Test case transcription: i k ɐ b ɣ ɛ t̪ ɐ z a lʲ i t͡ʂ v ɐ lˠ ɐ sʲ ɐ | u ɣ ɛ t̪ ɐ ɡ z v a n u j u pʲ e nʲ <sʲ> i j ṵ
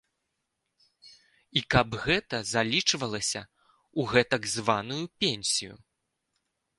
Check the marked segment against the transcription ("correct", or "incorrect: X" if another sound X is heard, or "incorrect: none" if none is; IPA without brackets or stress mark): correct